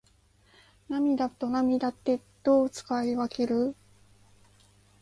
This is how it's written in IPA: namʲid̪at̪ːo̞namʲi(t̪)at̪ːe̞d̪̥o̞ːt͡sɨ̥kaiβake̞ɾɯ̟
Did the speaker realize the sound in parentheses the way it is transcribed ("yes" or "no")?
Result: no